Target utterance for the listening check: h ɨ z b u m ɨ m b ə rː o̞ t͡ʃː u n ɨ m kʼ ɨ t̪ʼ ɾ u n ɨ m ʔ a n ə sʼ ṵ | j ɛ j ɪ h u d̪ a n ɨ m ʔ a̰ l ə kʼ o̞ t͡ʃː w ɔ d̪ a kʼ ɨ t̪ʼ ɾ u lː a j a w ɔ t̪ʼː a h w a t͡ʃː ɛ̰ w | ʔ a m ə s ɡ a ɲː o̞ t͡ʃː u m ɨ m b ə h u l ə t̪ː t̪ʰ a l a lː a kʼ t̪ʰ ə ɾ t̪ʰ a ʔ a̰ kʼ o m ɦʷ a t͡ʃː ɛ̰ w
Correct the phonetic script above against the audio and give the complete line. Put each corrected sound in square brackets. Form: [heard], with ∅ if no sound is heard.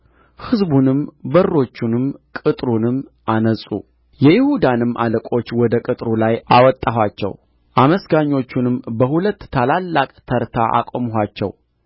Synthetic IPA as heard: h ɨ z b u [n] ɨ m b ə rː o̞ t͡ʃː u n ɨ m kʼ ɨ t̪ʼ ɾ u n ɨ m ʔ a n ə sʼ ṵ | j ɛ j ɪ h u d̪ a n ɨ m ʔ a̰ l ə kʼ o̞ t͡ʃː w ɔ d̪ [ə] kʼ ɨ t̪ʼ ɾ u [l] a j a w ɔ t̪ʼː a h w a t͡ʃː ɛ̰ w | ʔ a m ə s ɡ a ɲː o̞ t͡ʃː u [n] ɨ m b ə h u l ə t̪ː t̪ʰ a l a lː a kʼ t̪ʰ ə ɾ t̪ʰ a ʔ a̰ kʼ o m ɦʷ a t͡ʃː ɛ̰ w

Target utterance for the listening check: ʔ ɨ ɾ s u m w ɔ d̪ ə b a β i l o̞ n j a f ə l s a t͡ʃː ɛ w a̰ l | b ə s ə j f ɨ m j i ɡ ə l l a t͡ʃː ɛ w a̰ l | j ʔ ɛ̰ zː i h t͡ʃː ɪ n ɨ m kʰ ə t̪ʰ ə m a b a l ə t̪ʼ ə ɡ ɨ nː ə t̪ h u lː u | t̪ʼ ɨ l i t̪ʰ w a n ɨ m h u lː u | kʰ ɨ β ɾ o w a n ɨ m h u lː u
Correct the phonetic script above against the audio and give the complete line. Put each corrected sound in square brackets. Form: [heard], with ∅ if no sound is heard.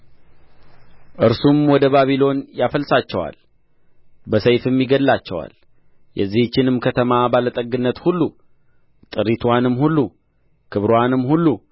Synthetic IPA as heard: ʔ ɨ ɾ s u m w ɔ d̪ ə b a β i l o̞ n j a f ə l s a t͡ʃː ɛ w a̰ l | b ə s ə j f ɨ m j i ɡ ə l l a t͡ʃː ɛ w a̰ l | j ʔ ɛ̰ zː i h t͡ʃː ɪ n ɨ m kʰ ə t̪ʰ ə m a b a l ə t̪ʼ ə ɡ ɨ nː ə t̪ h u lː u | t̪ʼ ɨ [ɾ] i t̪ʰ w a n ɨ m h u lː u | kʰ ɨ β ɾ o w a n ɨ m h u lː u

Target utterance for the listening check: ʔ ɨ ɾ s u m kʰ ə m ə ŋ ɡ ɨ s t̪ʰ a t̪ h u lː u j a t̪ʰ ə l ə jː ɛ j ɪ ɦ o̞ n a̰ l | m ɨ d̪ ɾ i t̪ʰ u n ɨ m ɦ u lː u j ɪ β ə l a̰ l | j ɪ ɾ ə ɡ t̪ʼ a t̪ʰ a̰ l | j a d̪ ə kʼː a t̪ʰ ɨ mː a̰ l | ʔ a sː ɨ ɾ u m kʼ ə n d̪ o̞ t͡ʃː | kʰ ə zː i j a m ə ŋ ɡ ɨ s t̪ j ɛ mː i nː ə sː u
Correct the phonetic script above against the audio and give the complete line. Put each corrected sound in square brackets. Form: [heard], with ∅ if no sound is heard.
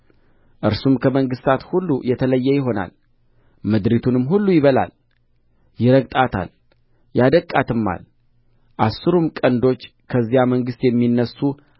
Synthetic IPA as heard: ʔ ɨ ɾ s u m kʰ ə m ə ŋ ɡ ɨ s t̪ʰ a t̪ h u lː u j [ɛ] t̪ʰ ə l ə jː ɛ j ɪ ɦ o̞ n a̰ l | m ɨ d̪ ɾ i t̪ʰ u n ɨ m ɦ u lː u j ɪ β ə l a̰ l | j ɪ ɾ ə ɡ t̪ʼ a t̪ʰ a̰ l | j a d̪ ə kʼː a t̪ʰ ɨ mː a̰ l | ʔ a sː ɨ ɾ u m kʼ ə n d̪ o̞ t͡ʃː | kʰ ə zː i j a m ə ŋ ɡ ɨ s t̪ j ɛ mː i nː ə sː u

